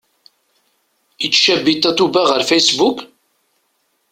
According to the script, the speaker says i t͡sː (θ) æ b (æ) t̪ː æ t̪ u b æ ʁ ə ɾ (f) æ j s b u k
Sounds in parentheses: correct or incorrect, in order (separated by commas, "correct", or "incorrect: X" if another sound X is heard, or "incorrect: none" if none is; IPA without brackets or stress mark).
incorrect: ʃ, incorrect: i, correct